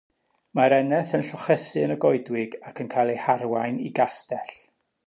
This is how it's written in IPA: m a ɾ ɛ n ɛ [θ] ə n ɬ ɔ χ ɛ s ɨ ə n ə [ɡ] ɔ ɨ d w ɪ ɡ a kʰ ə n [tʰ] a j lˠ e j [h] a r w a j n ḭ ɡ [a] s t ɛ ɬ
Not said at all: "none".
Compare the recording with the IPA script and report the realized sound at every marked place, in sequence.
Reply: θ, ɡ, kʰ, h, a

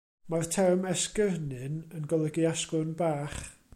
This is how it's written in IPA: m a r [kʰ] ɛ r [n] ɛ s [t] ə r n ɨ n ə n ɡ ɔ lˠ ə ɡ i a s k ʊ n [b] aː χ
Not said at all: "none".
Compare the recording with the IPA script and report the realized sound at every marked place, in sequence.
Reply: tʰ, m, k, b

